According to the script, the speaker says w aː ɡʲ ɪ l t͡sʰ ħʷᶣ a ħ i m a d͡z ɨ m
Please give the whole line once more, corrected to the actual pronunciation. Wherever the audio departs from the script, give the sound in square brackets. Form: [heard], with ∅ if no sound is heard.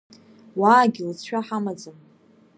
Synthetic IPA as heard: w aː ɡʲ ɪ l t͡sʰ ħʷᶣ a ħ [a] m a d͡z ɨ m